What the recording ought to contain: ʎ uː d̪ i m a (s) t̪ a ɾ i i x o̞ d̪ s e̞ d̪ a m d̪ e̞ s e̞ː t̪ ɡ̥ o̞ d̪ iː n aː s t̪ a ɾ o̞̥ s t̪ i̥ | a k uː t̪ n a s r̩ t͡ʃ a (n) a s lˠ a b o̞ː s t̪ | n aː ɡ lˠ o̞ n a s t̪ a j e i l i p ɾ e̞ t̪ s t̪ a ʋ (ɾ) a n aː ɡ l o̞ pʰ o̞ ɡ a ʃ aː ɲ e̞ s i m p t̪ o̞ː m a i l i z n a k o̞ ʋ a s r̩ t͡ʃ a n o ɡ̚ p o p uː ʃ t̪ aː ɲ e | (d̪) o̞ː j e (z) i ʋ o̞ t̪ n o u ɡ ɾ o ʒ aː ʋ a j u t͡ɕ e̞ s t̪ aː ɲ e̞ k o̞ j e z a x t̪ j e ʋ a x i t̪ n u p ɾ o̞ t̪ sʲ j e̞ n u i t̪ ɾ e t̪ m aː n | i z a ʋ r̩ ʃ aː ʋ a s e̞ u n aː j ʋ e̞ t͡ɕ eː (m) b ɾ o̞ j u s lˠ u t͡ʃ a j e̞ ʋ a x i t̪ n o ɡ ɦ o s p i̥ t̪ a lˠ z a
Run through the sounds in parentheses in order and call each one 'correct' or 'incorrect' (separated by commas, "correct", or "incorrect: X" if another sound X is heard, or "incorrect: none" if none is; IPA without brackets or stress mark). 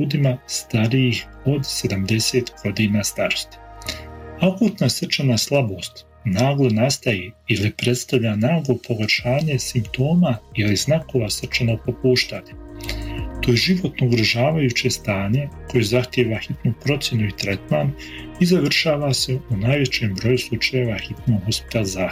correct, correct, incorrect: ʎ, incorrect: t̪, incorrect: ʒ, correct